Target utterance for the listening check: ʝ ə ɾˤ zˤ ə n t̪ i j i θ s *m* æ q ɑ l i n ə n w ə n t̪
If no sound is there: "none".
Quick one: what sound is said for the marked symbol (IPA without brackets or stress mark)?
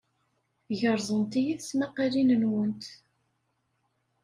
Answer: m